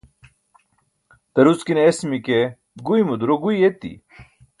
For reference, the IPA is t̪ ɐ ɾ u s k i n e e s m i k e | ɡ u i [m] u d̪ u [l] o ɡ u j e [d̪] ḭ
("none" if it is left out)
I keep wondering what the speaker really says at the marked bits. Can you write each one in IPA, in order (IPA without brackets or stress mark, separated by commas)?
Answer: m, ɾ, t̪